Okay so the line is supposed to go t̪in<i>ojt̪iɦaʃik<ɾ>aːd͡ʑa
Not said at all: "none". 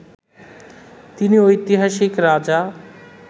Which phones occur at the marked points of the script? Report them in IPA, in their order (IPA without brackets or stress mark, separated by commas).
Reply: i, ɾ